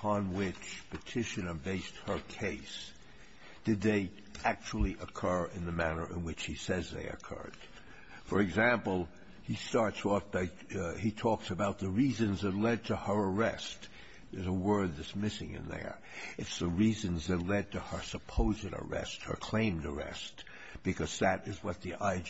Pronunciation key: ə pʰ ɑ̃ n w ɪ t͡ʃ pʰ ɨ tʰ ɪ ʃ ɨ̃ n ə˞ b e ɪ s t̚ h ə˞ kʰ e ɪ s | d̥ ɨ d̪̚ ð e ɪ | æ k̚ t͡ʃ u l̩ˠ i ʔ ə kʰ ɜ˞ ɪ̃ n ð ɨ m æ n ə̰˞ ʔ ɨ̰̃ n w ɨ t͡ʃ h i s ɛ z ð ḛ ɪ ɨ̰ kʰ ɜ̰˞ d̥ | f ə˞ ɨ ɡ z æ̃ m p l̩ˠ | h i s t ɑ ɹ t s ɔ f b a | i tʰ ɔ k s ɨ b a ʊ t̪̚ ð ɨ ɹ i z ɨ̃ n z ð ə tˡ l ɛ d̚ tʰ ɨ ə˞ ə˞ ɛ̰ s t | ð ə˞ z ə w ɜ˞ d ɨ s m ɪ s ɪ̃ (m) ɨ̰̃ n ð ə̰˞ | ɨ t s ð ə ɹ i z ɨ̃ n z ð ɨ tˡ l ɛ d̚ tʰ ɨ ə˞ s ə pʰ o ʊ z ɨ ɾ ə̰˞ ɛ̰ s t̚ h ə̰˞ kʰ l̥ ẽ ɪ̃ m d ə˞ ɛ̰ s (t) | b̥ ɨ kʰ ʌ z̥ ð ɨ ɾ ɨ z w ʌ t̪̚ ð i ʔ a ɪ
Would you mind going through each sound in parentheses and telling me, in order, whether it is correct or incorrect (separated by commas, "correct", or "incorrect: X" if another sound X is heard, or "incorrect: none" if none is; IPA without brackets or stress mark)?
incorrect: ŋ, correct